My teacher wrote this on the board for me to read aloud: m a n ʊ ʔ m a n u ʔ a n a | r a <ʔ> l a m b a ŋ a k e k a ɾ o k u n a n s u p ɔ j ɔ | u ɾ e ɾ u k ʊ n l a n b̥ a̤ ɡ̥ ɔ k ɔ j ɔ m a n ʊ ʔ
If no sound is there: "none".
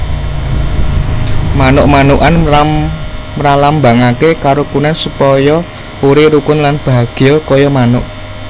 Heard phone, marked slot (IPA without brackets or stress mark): none